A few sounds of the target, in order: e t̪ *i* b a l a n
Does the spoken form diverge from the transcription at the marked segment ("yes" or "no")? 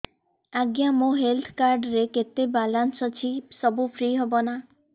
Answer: yes